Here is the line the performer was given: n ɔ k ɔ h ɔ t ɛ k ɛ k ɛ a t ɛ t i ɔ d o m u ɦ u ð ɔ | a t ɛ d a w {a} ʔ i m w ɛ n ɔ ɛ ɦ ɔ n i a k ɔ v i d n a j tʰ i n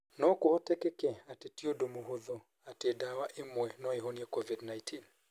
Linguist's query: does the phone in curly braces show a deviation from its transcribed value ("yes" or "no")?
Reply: no